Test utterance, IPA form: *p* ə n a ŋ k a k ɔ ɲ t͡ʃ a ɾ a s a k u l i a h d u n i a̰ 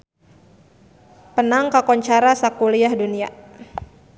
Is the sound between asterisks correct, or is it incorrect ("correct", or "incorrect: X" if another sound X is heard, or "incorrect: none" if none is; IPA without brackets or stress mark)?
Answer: correct